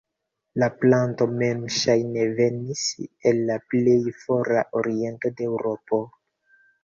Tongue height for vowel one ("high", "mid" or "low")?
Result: low